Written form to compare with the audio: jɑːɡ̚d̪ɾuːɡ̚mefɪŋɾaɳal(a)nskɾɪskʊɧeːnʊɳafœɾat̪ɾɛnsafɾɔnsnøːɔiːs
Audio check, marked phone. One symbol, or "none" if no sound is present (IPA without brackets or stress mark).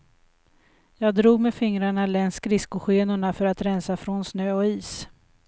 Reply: ɛ